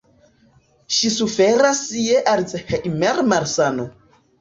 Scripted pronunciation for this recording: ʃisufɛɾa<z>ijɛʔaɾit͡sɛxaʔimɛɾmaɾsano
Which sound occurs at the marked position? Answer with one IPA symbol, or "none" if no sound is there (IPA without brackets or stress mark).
s